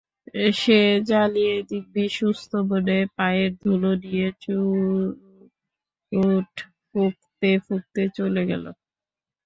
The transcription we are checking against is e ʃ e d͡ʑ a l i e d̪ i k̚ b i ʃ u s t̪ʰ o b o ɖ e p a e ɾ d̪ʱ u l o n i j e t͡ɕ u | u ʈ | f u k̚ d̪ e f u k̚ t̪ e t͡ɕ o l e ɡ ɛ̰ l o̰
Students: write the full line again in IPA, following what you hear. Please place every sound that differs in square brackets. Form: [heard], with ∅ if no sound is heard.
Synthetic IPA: e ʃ e d͡ʑ a l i e d̪ i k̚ b i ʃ u s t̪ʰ o b o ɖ e p a e ɾ d̪ʱ u l o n i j e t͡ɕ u | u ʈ | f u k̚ [t̪] e f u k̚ t̪ e t͡ɕ o l e ɡ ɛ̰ l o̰